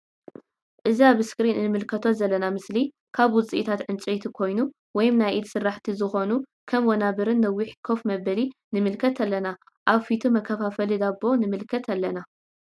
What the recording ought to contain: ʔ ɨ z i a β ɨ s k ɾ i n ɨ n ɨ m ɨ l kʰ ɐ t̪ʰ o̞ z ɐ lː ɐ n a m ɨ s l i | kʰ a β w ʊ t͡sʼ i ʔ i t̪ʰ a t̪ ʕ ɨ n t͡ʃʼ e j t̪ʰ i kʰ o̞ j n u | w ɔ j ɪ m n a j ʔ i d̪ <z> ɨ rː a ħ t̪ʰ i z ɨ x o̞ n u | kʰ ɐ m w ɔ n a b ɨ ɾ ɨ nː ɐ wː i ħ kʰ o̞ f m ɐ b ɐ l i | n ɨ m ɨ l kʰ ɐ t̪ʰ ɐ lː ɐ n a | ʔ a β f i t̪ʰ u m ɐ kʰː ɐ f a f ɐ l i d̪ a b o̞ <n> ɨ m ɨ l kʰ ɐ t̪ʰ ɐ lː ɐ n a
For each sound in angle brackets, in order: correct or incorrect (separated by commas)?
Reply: incorrect, correct